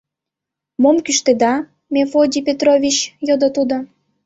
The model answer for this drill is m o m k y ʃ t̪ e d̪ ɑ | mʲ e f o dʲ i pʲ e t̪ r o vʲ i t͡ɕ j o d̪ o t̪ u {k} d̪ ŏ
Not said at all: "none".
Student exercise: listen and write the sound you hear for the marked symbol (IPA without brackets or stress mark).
none